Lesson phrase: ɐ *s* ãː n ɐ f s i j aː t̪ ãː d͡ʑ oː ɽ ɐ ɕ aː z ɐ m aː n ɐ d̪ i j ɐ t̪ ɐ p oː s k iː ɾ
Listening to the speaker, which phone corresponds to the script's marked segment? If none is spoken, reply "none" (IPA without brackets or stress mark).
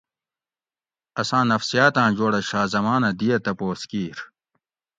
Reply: s